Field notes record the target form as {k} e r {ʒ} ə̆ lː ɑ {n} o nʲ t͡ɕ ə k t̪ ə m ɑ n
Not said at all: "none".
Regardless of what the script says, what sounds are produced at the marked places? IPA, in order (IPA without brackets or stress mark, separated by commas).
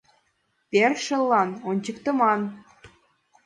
p, ʃ, n